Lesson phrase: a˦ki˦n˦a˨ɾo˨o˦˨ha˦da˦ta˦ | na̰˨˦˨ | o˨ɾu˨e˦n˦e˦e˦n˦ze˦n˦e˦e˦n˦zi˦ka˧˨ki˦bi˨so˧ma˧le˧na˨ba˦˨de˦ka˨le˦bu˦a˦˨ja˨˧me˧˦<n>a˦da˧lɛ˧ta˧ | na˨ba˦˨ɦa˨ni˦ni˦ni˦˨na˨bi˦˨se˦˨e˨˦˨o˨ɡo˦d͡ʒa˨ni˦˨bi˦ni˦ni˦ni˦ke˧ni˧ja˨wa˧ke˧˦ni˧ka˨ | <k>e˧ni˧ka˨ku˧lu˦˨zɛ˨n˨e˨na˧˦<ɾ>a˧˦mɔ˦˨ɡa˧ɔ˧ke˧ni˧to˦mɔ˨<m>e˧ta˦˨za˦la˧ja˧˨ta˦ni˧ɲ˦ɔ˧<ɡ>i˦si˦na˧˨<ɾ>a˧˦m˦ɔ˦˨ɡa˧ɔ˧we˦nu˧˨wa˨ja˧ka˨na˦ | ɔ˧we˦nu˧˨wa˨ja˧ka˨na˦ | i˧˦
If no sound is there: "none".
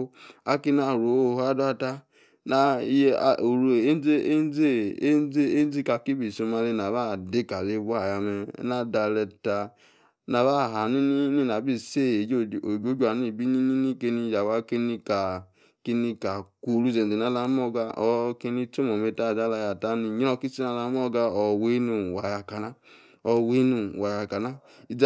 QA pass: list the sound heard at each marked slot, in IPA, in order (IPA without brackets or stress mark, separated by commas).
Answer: n, k, l, m, k, l